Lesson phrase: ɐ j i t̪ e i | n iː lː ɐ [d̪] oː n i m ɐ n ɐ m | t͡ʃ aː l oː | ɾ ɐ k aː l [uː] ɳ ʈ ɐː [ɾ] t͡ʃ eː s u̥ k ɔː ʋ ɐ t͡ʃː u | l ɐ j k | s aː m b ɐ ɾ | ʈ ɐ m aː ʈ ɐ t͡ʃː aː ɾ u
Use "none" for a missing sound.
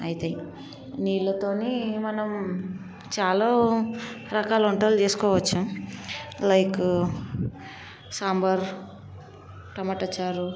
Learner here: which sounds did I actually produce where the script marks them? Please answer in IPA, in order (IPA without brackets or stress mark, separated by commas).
t̪, u, l